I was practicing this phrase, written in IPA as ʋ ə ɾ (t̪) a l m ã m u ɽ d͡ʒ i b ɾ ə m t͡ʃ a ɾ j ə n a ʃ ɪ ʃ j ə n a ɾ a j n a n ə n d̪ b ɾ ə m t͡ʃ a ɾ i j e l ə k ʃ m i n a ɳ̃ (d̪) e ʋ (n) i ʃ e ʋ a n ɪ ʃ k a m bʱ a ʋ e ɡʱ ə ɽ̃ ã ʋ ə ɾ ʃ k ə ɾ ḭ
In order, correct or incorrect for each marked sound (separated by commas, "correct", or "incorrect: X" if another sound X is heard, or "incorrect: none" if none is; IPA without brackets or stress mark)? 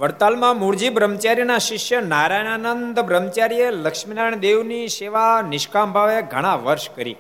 correct, correct, correct